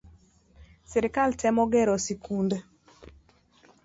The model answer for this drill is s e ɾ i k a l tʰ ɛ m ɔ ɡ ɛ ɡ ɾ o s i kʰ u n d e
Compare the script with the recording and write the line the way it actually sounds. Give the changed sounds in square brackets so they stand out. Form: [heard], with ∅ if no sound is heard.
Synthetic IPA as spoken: s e ɾ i k a l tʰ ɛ m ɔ ɡ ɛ [∅] ɾ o s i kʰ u n d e